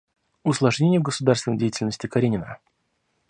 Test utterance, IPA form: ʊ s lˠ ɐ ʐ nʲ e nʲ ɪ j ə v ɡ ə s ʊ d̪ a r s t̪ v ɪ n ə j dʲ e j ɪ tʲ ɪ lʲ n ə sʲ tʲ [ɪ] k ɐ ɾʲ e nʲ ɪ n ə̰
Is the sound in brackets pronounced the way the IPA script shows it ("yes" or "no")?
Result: yes